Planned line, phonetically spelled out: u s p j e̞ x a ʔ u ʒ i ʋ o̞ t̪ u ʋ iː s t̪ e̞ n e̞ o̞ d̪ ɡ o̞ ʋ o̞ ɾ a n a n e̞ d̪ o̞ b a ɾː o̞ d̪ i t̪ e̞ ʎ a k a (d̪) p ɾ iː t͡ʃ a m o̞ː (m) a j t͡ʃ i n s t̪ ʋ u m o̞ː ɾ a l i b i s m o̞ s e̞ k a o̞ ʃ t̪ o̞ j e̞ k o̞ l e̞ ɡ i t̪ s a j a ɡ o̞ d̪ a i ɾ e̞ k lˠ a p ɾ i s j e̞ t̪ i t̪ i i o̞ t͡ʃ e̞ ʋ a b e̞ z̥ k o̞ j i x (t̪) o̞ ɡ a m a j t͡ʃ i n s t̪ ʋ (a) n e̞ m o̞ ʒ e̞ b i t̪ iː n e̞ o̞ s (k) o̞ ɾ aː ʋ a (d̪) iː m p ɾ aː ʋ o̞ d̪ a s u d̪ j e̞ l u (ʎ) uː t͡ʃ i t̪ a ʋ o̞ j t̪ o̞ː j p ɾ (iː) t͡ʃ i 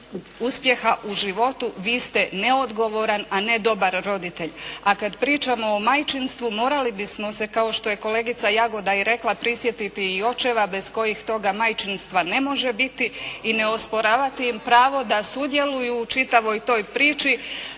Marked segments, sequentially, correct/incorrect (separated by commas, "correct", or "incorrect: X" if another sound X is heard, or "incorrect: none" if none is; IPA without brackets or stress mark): correct, correct, correct, correct, incorrect: p, incorrect: t̪, incorrect: j, correct